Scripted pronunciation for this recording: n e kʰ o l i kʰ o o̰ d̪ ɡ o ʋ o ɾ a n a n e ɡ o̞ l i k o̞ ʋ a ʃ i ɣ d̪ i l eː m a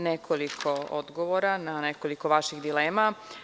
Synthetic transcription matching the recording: n e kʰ o l i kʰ o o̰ d̪ ɡ o ʋ o ɾ a n a n e k o̞ l i k o̞ ʋ a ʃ i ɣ d̪ i l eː m a